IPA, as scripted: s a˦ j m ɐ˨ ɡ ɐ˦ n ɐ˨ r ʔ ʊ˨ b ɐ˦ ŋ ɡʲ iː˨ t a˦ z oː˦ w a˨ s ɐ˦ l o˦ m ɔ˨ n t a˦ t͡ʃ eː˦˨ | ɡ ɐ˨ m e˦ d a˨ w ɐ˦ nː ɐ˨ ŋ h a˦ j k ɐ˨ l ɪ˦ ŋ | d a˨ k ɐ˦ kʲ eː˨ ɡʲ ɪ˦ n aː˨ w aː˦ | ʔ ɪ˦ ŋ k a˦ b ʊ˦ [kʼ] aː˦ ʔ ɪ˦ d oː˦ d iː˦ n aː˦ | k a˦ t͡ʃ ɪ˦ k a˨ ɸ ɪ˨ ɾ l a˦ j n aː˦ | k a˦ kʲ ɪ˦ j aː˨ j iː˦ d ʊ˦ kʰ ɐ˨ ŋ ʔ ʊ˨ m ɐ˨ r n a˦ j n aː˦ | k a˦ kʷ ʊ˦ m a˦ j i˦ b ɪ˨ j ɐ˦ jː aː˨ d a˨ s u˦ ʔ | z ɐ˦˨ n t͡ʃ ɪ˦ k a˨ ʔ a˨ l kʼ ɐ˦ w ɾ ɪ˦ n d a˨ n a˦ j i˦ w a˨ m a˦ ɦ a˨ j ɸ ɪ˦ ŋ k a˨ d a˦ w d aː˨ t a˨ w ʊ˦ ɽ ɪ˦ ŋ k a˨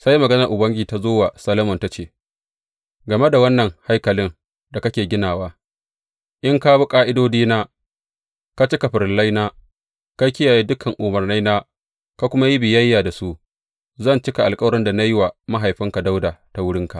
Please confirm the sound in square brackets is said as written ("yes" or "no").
yes